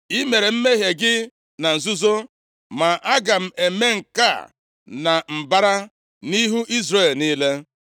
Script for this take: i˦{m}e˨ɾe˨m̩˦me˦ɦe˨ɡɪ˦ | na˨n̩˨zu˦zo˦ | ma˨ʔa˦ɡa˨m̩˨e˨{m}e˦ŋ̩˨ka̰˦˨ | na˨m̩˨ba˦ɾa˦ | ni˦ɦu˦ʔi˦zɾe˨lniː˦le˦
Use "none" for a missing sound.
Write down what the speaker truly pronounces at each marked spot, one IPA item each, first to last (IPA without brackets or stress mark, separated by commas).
m, m